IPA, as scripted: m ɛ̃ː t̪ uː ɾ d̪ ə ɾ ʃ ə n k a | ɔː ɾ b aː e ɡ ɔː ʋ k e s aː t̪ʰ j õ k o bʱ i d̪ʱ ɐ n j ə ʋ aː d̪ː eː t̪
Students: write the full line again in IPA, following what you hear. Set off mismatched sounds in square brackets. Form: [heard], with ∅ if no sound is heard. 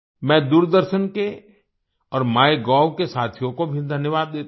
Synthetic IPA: m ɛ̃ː [d̪] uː ɾ d̪ ə ɾ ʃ ə n k [e] | ɔː ɾ [m] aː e ɡ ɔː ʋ k e s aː t̪ʰ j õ k o bʱ i d̪ʱ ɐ n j ə ʋ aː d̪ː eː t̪

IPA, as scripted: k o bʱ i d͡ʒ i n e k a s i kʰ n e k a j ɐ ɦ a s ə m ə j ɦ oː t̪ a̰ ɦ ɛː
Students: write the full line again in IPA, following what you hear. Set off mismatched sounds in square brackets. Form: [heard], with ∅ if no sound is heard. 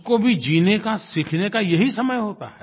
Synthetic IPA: k o bʱ i d͡ʒ [iː] n e k a s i kʰ n e k a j ɐ ɦ [i] s [ɐ] m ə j ɦ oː t̪ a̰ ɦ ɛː

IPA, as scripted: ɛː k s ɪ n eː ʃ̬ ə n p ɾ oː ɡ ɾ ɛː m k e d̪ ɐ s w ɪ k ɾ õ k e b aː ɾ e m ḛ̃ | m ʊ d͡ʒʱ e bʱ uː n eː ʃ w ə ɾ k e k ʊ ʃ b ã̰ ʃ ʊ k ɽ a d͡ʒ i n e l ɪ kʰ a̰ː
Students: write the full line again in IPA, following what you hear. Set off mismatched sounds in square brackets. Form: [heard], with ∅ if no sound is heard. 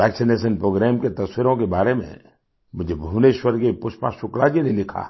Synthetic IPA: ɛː k s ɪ n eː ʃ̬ ə n p ɾ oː ɡ ɾ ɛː m k e [t̪] ɐ s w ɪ [∅] ɾ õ k e b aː ɾ e m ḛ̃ | m ʊ d͡ʒʱ e bʱ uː n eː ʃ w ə ɾ k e [p] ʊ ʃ [p] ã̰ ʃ ʊ k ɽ a d͡ʒ i n e l ɪ kʰ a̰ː

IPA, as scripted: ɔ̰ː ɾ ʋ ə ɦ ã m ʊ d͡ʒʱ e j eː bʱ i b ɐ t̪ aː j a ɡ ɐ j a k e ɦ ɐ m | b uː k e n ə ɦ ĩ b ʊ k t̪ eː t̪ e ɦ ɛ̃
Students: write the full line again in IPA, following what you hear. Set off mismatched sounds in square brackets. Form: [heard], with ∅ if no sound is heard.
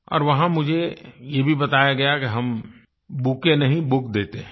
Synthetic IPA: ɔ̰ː ɾ ʋ [ɐ] ɦ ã m ʊ d͡ʒʱ e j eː bʱ i b ɐ t̪ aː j a ɡ ɐ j a k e ɦ ɐ m | b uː k e n [ɐ] ɦ ĩ b ʊ k [d̪] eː t̪ e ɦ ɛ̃

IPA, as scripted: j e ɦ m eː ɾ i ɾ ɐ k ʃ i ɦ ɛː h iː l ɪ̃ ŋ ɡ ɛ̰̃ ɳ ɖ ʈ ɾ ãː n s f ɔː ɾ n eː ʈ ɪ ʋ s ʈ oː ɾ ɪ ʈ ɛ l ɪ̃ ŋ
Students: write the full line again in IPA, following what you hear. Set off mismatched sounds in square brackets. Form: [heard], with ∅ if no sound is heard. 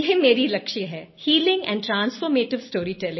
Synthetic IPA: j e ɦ m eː ɾ i [l] ɐ k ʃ i ɦ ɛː h iː l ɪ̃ ŋ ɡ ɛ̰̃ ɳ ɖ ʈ ɾ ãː n s f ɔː ɾ [m] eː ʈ ɪ ʋ s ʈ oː ɾ [i] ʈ ɛ l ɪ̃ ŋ

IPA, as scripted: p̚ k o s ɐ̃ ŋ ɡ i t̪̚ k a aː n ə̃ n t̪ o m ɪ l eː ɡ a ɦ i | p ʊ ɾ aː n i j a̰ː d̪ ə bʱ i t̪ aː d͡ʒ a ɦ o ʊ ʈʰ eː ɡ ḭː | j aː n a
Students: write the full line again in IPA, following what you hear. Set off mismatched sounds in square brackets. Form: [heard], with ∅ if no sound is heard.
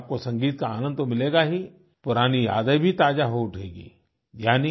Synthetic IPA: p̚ k o s ɐ̃ ŋ ɡ [iː] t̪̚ k a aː n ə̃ n [d̪] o m ɪ l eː ɡ a ɦ i | p ʊ ɾ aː n i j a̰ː d̪ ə bʱ i t̪ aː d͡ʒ a ɦ o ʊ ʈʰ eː ɡ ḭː | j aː n [i]

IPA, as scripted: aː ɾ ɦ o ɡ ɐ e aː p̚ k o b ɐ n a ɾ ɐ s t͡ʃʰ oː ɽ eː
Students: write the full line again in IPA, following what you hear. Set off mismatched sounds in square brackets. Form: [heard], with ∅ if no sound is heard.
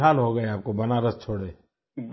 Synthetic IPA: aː [l] ɦ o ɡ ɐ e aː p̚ k o b ɐ n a ɾ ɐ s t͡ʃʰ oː ɽ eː

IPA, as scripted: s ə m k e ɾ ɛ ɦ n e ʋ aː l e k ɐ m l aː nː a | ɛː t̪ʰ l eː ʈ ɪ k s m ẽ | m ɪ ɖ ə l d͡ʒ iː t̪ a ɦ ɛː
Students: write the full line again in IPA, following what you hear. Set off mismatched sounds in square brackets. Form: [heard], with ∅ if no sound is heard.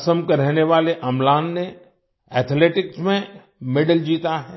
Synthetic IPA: s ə m k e ɾ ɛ ɦ n e ʋ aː l e [ʔ] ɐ m l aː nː [e] | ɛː t̪ʰ l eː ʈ ɪ k s m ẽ | m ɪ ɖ ə l d͡ʒ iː t̪ a ɦ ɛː

